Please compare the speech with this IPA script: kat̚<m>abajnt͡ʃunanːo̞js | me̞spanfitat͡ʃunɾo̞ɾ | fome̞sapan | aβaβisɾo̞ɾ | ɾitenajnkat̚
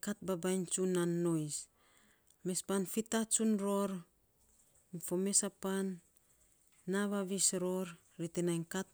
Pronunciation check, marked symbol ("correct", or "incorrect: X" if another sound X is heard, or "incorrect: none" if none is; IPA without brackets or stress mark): incorrect: b